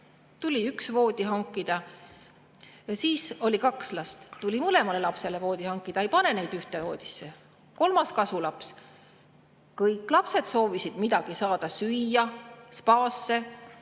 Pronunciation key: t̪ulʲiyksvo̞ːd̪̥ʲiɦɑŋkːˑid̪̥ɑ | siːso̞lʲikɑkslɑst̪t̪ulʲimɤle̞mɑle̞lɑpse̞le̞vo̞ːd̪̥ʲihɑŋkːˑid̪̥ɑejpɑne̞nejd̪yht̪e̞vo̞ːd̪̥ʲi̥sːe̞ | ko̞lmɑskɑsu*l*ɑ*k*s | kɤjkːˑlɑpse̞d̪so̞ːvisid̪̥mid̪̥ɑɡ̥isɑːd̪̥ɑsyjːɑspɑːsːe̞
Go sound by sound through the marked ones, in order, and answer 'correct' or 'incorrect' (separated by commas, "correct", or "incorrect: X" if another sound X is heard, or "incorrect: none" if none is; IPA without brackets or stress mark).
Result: correct, incorrect: p